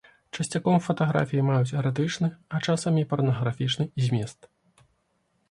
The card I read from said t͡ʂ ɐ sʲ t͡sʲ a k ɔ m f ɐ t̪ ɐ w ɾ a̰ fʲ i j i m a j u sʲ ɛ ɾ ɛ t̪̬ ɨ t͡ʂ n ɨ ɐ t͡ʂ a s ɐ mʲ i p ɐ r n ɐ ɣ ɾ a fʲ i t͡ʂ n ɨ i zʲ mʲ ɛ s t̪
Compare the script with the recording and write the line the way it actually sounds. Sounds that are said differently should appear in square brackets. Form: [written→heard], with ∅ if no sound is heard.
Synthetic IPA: t͡ʂ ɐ sʲ t͡sʲ a k ɔ m f ɐ t̪ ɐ [w→ɣ] ɾ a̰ fʲ i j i m a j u [sʲ→t͡sʲ] ɛ ɾ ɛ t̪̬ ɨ t͡ʂ n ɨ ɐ t͡ʂ a s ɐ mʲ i p ɐ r n ɐ ɣ ɾ a fʲ i t͡ʂ n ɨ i zʲ mʲ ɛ s t̪